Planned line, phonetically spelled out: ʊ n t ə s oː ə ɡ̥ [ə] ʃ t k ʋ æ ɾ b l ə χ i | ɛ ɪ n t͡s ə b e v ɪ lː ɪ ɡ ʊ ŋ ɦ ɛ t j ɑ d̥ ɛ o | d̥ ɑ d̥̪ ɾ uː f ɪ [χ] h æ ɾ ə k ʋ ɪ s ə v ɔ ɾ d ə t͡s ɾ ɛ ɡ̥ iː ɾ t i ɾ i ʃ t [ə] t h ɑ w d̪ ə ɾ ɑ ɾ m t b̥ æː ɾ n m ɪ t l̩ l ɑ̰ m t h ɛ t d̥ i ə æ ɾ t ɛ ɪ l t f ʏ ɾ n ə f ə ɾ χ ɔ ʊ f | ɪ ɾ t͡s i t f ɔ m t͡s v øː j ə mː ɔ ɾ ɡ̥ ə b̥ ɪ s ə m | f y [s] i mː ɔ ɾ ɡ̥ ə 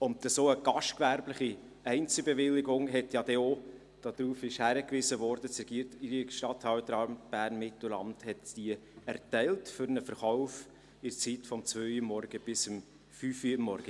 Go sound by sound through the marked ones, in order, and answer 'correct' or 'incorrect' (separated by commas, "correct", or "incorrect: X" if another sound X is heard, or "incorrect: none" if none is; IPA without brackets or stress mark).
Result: incorrect: ɑ, incorrect: ʃ, incorrect: ɑ, incorrect: f